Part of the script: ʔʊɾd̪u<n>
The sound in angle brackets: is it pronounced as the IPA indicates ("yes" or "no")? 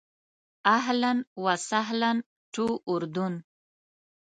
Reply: yes